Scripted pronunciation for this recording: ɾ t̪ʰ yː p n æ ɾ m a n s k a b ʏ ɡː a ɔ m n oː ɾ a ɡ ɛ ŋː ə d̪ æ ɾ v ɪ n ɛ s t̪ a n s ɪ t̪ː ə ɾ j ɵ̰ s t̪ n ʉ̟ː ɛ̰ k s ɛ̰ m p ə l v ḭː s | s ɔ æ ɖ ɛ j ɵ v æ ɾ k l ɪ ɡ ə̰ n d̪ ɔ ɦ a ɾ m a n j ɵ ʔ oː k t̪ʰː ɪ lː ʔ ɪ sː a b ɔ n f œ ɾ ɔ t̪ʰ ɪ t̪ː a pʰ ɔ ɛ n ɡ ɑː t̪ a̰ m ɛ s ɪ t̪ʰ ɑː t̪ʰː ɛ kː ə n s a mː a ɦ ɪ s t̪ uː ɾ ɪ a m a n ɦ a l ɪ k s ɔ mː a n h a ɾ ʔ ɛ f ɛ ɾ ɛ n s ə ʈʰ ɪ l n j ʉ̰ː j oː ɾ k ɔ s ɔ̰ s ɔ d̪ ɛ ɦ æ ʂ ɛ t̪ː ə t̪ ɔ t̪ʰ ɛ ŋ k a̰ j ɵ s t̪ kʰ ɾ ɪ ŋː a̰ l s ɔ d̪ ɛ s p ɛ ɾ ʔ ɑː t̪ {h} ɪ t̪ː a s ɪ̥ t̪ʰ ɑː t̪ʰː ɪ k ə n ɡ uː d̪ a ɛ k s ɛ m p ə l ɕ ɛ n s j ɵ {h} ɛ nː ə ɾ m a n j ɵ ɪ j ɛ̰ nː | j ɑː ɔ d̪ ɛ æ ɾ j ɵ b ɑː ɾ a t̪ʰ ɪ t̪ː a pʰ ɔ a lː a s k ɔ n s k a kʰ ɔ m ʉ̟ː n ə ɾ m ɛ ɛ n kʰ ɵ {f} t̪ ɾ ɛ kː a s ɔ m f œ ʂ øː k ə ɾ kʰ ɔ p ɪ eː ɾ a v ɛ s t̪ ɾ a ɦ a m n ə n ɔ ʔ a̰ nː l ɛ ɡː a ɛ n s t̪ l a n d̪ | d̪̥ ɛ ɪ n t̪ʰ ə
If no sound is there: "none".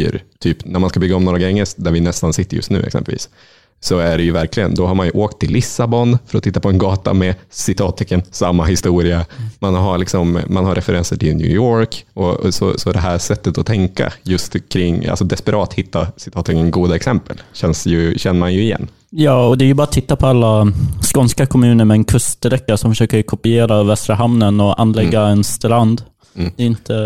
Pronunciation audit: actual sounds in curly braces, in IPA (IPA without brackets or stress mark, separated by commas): h, ɕ, s